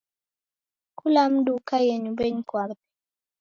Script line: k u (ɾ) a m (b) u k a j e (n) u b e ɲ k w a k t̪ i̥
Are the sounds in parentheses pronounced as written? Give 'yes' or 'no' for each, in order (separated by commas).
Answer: no, no, no